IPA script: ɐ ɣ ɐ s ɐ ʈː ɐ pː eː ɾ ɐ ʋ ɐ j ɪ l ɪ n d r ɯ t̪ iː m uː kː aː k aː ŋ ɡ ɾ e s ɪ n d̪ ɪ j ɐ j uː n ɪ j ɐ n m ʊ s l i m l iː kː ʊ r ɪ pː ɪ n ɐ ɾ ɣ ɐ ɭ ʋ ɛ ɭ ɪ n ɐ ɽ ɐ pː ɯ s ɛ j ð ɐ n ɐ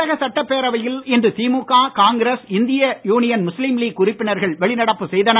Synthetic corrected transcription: ɐ ɣ ɐ s ɐ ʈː ɐ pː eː ɾ ɐ ʋ ɐ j ɪ l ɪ n d r ɯ t̪ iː m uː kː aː k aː ŋ ɡ ɾ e s ɪ n d̪ ɪ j ɐ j uː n ɪ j ɐ n m ʊ s l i m l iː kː ʊ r ɪ pː ɪ n ɐ ɾ ɣ ɐ ɭ ʋ ɛ ɭ ɪ n ɐ ɽ ɐ pː ɯ s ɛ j ð ɐ n ɐ